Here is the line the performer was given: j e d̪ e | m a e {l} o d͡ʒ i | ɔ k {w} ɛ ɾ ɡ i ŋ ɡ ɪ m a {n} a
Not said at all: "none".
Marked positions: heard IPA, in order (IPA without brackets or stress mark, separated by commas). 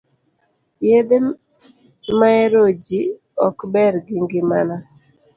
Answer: ɾ, b, n